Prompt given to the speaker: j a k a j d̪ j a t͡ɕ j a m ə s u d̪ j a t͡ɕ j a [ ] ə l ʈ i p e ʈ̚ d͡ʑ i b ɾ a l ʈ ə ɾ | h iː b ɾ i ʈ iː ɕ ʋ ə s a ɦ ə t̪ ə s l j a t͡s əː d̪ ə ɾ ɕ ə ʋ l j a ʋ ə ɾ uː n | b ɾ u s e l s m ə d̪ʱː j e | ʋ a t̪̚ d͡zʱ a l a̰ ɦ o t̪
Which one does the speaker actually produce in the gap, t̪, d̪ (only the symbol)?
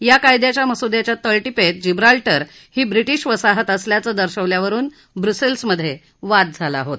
t̪